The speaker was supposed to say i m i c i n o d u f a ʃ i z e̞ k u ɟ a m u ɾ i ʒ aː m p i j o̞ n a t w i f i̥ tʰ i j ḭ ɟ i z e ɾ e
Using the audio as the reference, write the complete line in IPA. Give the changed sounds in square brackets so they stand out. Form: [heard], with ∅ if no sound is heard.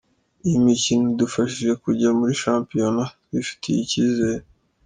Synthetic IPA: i m i c i n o d u f a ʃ i [ʒ] e̞ k u ɟ a m u ɾ i [ʃ] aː m p i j o̞ n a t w i f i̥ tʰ i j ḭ [c] i z e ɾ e